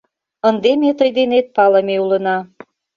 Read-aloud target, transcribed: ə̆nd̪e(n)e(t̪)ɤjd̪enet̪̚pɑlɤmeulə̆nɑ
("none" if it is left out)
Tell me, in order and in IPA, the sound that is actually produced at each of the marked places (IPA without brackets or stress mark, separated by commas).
m, t̪